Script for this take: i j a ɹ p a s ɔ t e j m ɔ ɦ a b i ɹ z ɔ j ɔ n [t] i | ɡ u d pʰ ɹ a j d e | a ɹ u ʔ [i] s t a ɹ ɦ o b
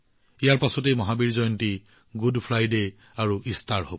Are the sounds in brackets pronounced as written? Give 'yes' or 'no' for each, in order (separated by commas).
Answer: yes, yes